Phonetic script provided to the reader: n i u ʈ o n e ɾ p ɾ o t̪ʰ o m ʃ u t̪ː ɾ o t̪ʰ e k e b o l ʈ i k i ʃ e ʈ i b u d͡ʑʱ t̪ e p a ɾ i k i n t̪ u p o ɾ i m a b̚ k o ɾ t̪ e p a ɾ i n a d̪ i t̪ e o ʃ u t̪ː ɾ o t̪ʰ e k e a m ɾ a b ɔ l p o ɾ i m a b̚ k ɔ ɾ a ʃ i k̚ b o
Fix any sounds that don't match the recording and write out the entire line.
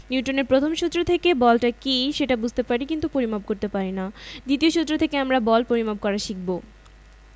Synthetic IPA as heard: n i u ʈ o n e ɾ p ɾ o t̪ʰ o m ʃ u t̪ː ɾ o t̪ʰ e k e b ɔ l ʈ a k i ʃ e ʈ a b u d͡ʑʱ t̪ e p a ɾ i k i n t̪ u p o ɾ i m a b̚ k o ɾ t̪ e p a ɾ i n a d̪ i t̪ i o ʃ u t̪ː ɾ o t̪ʰ e k e a m ɾ a b ɔ l p o ɾ i m a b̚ k ɔ ɾ a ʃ i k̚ b o